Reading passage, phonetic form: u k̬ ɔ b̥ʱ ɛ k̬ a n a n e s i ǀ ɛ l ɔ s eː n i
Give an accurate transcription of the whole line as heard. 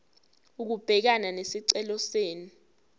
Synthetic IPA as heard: u k̬ u b̥ʱ ɛ k̬ a n a n e s i ǀ ɛ l ɔ s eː n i